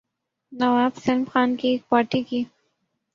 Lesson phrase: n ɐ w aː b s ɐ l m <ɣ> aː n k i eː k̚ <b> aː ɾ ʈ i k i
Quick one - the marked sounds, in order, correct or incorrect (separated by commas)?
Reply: incorrect, incorrect